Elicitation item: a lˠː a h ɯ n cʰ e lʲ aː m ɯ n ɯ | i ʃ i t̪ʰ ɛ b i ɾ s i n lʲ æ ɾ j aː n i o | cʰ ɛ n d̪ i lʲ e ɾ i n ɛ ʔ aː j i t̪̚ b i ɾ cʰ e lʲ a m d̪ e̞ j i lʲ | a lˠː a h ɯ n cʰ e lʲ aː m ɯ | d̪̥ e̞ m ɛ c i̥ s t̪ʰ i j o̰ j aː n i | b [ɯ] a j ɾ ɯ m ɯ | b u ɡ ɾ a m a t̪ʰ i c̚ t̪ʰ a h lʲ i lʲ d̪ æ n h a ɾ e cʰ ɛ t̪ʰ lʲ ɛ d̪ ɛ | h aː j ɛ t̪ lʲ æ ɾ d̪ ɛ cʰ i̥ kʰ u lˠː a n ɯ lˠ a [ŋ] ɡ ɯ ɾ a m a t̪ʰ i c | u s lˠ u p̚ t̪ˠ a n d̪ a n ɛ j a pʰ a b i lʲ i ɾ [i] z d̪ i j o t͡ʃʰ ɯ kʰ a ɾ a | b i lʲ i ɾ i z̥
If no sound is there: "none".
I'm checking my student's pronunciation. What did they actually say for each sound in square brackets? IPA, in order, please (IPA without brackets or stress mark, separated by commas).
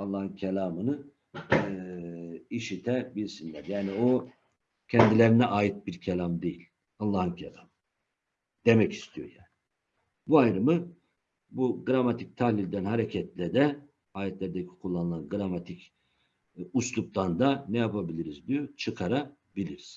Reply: u, n, i